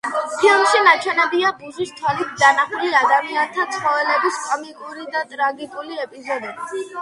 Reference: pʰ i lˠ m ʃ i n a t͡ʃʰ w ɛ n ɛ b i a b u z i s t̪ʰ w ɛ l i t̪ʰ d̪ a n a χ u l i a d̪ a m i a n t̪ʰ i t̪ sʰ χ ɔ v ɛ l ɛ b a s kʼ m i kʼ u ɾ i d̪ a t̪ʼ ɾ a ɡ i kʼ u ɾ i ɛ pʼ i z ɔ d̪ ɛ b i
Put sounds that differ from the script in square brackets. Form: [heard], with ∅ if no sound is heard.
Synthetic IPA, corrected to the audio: pʰ i lˠ m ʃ i n a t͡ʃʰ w ɛ n ɛ b i a b u z i s t̪ʰ w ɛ l i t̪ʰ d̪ a n a χ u l i a d̪ a m i a n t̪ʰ [a] t̪ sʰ χ ɔ v ɛ l ɛ b [i] s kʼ m i kʼ u ɾ i d̪ a t̪ʼ ɾ a ɡ i kʼ u [l] i ɛ pʼ i z ɔ d̪ ɛ b i